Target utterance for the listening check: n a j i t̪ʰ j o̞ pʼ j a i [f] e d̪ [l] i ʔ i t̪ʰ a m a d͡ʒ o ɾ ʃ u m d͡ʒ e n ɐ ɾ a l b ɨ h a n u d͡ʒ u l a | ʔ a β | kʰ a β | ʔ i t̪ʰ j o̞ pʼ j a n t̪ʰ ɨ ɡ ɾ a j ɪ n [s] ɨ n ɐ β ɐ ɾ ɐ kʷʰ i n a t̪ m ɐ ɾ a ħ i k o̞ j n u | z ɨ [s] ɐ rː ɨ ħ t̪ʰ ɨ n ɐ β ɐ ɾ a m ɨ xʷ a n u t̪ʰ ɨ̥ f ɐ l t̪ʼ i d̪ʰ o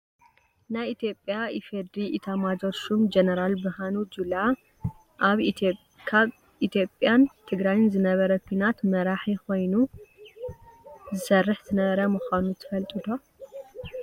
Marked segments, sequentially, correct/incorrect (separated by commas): correct, incorrect, incorrect, correct